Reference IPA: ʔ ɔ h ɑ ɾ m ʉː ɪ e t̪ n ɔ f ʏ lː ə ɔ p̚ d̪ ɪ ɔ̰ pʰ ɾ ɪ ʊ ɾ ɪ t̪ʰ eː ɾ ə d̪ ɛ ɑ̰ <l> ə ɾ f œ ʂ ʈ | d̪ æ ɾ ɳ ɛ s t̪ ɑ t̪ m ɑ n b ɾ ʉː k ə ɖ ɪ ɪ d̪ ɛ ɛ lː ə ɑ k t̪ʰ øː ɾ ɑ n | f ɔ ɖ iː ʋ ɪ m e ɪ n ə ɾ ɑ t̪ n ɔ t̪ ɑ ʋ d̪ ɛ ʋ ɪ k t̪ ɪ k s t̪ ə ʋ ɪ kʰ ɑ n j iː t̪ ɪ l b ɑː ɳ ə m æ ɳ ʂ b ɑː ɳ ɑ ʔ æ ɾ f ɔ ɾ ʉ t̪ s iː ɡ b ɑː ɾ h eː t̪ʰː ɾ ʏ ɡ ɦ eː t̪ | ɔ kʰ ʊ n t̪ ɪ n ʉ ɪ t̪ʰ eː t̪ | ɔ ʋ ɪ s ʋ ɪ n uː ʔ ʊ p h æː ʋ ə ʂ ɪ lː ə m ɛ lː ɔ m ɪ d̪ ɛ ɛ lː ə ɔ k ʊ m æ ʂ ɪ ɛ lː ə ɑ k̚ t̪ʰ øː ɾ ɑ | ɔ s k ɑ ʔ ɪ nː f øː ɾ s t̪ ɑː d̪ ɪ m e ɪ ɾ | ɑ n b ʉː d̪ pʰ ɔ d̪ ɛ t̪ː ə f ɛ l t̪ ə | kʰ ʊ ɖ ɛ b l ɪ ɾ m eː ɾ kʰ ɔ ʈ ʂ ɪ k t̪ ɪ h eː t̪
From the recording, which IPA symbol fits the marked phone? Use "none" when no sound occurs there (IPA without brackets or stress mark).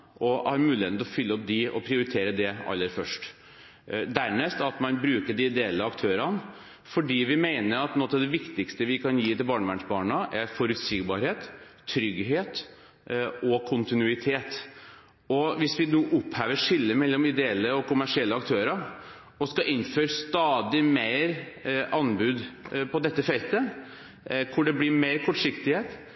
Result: lː